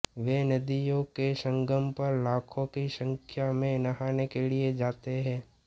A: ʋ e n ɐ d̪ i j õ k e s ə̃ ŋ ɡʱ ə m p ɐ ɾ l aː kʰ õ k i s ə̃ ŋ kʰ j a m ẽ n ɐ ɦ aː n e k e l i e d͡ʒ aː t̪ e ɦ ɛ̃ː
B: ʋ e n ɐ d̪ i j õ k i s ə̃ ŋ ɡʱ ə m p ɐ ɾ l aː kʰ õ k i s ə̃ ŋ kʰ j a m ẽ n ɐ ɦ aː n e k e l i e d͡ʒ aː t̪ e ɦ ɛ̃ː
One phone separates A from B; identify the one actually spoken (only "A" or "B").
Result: A